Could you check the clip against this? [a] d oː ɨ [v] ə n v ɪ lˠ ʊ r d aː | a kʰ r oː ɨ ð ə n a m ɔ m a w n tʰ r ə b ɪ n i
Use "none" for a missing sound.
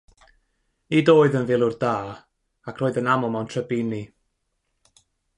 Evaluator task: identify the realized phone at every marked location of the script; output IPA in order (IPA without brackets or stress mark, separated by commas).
i, ð